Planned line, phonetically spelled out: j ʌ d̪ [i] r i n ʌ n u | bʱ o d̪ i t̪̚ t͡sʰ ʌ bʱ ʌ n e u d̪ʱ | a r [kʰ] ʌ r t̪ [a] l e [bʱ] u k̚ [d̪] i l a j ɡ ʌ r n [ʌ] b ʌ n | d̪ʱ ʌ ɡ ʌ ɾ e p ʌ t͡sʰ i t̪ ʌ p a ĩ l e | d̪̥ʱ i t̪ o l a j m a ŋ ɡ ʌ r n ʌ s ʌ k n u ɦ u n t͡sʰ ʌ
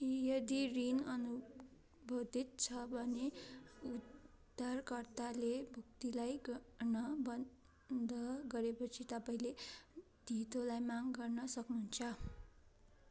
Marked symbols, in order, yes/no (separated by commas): yes, no, yes, yes, no, yes